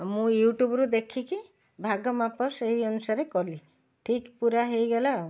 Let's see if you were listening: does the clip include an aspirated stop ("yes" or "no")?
yes